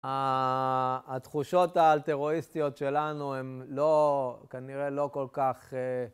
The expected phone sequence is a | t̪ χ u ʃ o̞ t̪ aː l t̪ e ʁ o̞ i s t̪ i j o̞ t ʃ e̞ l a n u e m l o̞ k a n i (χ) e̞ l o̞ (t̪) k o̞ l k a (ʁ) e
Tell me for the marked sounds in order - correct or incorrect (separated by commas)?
incorrect, incorrect, incorrect